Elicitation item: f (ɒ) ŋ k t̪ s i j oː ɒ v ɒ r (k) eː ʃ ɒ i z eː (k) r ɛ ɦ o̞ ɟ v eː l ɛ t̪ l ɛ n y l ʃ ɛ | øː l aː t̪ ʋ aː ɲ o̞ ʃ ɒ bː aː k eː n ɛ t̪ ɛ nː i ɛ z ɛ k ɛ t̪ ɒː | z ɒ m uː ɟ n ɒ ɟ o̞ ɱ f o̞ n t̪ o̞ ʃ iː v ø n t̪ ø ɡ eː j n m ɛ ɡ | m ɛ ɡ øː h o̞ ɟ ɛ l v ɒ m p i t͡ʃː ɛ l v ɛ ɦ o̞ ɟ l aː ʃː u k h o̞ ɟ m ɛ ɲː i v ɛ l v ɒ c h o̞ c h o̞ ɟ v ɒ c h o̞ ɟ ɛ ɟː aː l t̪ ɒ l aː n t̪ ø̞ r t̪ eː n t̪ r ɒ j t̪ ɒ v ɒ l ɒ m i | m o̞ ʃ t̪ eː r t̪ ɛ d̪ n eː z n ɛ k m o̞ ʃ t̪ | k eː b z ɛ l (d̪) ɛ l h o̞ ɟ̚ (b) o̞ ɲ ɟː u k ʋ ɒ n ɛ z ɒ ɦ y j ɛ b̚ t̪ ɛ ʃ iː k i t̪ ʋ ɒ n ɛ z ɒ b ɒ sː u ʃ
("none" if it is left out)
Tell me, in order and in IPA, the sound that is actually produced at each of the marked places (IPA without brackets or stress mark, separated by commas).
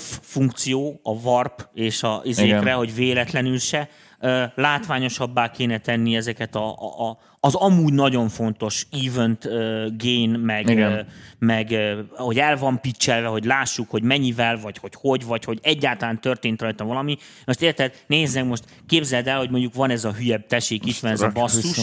u, p, k, d̪, m